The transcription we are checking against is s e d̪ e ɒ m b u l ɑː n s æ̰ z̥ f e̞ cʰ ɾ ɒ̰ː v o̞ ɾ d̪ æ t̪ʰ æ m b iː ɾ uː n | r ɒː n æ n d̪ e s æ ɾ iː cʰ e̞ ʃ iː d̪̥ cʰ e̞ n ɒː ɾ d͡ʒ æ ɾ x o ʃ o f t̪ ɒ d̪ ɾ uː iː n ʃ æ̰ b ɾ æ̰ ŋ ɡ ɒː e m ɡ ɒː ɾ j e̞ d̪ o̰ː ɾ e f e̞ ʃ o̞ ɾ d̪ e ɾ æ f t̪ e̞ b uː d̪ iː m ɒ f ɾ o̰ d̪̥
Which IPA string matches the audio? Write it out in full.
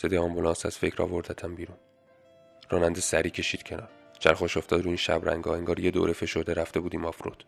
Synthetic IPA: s e d̪ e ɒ m b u l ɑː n s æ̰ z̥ f e̞ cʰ ɾ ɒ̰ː v o̞ ɾ d̪ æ t̪ʰ æ m b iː ɾ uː n | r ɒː n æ n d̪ e s æ ɾ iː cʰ e̞ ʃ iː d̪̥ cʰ e̞ n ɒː ɾ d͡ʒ æ ɾ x o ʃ o f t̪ ɒ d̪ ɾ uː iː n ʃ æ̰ b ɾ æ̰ ŋ ɡ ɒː e ŋ ɡ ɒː ɾ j e̞ d̪ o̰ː ɾ e f e̞ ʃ o̞ ɾ d̪ e ɾ æ f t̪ e̞ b uː d̪ iː m ɒ f ɾ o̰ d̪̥